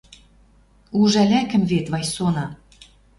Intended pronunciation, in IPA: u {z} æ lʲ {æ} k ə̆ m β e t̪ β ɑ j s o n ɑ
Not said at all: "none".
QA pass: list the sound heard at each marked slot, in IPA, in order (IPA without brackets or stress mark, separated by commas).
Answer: ʒ, æ